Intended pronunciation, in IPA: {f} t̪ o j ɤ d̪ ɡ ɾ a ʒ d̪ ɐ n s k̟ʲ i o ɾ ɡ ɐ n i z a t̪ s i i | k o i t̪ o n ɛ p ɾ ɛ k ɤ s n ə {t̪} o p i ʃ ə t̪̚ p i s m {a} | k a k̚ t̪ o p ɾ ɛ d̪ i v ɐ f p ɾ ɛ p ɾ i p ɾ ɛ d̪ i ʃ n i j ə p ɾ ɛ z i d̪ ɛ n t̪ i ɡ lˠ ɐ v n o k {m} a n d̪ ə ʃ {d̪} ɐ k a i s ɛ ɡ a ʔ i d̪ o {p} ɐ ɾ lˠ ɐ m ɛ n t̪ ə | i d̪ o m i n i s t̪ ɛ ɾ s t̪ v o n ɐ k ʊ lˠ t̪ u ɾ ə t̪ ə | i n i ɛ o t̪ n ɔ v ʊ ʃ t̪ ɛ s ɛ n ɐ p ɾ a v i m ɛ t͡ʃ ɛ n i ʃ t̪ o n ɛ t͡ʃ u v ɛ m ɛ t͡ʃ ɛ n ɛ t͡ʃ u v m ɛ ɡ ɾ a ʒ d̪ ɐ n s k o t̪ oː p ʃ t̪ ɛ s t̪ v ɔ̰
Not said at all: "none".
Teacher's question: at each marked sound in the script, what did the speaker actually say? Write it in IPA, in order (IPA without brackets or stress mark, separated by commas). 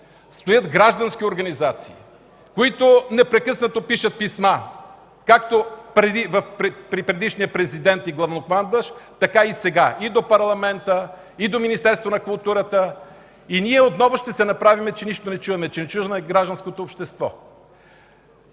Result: s, t̪, a, m, t̪, p